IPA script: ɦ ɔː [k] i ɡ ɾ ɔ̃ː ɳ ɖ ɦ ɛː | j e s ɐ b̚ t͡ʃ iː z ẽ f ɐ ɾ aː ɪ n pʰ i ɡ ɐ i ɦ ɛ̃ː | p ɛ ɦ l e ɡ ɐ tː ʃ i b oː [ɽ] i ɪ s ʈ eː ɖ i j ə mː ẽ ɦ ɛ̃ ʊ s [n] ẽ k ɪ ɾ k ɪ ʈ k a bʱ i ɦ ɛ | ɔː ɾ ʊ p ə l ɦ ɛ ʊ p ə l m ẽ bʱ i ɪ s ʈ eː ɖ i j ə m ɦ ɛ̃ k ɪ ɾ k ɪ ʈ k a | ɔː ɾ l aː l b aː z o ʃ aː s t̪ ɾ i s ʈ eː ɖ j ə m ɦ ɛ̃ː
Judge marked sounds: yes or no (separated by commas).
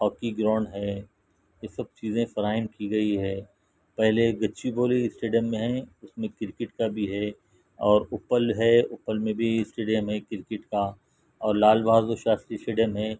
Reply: yes, no, no